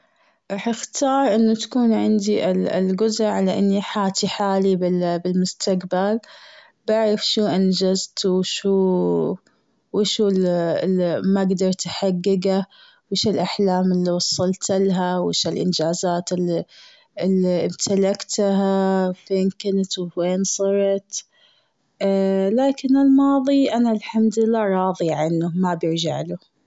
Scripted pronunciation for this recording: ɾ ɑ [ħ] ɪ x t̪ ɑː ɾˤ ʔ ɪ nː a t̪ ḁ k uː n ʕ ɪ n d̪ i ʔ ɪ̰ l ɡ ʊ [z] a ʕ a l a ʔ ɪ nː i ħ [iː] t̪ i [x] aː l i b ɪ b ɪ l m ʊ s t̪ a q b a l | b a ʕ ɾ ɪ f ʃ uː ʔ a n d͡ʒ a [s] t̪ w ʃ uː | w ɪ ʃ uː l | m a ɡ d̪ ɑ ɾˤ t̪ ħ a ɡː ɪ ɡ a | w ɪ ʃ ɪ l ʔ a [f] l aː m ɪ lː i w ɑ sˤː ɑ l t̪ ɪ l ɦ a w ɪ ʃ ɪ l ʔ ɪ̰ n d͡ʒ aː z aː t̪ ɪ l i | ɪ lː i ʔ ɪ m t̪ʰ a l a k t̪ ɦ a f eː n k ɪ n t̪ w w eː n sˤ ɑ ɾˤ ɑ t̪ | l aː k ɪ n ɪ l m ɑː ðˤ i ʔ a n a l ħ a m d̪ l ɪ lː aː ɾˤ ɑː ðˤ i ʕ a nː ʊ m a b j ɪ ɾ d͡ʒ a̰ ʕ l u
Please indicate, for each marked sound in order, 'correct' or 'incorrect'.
correct, correct, incorrect: aː, incorrect: ħ, incorrect: z, incorrect: ħ

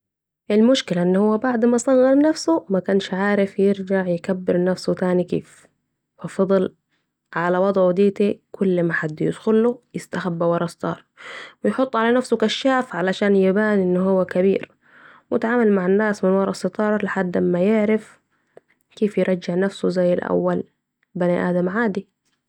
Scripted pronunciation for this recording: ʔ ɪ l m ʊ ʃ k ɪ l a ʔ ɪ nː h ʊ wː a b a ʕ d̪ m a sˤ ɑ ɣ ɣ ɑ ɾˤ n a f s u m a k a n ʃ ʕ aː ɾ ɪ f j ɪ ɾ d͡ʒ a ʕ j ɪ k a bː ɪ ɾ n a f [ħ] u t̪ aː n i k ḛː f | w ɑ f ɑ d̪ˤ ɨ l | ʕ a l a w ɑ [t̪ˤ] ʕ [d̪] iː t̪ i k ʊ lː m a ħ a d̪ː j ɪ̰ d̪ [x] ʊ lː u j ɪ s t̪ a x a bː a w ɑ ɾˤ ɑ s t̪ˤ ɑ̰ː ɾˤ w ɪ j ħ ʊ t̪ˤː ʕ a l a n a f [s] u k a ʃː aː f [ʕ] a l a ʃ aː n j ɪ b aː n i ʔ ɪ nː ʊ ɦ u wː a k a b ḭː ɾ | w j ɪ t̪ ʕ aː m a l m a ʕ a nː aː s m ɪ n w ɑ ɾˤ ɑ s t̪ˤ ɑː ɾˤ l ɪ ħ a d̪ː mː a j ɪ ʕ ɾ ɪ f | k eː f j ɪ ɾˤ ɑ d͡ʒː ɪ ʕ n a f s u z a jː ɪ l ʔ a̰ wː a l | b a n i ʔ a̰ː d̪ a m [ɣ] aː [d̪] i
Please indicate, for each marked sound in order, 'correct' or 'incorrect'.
incorrect: s, incorrect: d̪ˤ, correct, correct, correct, correct, incorrect: ʕ, correct

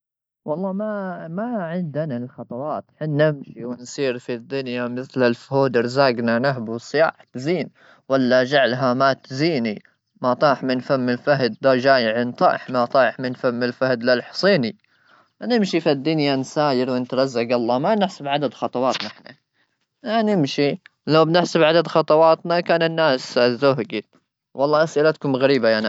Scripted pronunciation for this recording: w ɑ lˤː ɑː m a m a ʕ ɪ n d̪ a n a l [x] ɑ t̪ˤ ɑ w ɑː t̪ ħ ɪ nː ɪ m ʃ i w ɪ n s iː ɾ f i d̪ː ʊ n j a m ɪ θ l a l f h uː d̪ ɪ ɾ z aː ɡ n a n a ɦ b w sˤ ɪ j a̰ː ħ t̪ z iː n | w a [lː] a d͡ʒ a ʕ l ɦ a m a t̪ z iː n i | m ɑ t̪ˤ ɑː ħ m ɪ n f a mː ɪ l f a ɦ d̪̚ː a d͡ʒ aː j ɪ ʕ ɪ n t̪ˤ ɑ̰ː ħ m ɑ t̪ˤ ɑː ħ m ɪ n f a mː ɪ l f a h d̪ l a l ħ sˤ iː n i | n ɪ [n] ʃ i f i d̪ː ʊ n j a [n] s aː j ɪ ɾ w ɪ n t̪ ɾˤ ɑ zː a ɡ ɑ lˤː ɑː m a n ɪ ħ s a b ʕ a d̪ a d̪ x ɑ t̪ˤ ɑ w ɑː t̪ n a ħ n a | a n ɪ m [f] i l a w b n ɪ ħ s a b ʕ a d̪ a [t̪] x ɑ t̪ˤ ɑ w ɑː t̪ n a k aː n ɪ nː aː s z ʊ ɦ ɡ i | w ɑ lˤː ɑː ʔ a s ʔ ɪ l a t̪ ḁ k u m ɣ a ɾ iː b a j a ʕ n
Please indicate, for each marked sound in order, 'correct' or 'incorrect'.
correct, correct, incorrect: m, correct, incorrect: ʃ, incorrect: d̪

